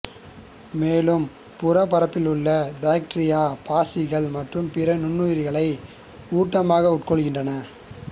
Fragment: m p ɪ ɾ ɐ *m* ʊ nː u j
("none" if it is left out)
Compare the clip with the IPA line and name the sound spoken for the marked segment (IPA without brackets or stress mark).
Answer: n